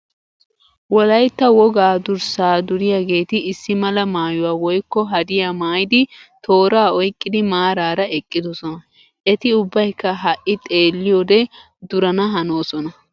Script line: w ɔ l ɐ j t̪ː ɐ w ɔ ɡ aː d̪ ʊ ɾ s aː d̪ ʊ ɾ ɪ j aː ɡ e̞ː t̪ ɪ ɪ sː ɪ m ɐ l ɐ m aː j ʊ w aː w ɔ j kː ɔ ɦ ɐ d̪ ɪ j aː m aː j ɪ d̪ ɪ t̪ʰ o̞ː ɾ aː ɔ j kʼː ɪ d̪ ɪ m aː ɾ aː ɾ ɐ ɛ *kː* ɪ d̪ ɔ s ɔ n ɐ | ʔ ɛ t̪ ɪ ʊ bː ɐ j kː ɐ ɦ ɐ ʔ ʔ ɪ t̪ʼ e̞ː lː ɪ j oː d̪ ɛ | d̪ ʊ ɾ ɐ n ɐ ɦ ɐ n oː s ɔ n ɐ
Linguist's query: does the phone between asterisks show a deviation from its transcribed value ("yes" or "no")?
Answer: yes